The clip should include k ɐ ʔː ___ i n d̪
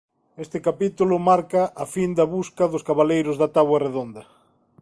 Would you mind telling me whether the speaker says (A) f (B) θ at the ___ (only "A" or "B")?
A